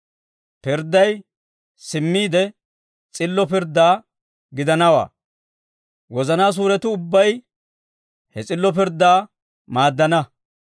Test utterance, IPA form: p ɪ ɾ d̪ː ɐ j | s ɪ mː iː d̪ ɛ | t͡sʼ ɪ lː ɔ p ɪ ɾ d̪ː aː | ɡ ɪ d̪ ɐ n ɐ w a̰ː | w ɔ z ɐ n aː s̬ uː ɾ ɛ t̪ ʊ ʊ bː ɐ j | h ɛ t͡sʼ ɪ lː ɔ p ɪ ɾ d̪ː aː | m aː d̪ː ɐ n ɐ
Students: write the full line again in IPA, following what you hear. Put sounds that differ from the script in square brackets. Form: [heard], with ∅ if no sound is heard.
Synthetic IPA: p ɪ ɾ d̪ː ɐ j | s ɪ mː iː d̪ ɛ | t͡sʼ ɪ lː ɔ p ɪ ɾ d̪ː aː | ɡ ɪ d̪ ɐ n ɐ w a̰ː | w ɔ z ɐ n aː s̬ uː ɾ ɛ t̪ ʊ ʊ bː ɐ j | h ɛ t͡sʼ ɪ lː ɔ p ɪ ɾ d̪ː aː | m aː d̪ː ɐ n ɐ